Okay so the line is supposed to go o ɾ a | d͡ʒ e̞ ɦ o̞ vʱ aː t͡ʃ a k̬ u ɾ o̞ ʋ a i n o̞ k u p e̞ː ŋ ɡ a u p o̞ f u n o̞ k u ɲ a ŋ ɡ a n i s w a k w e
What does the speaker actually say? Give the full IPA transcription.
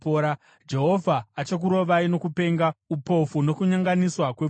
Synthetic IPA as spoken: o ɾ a | d͡ʒ e̞ ɦ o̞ vʱ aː t͡ʃ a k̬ u ɾ o̞ ʋ a i n o̞ k u p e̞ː ŋ ɡ a u p o̞ f u n o̞ k u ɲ a ŋ ɡ a n i s w a k w e